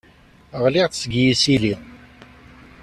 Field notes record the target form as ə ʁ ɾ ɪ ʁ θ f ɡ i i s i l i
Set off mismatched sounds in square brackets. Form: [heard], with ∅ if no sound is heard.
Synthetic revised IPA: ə ʁ [l] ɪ ʁ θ [s] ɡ [j] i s i l i